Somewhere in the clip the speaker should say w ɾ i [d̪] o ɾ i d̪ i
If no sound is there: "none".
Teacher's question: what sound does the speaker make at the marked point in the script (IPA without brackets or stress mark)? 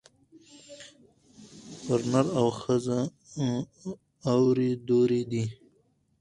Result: d̪